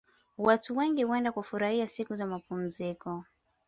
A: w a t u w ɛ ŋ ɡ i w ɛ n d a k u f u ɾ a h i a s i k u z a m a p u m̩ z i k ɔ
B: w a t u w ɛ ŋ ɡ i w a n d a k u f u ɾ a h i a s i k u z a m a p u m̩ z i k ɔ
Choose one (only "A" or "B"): A